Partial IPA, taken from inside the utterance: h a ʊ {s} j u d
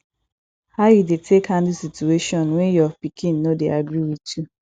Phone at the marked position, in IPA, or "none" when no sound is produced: none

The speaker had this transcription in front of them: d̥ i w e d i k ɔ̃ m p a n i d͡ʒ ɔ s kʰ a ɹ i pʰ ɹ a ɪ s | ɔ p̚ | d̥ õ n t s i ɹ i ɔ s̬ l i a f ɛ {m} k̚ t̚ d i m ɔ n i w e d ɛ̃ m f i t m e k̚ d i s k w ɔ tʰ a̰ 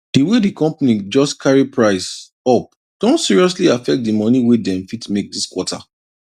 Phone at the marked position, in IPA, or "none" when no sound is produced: none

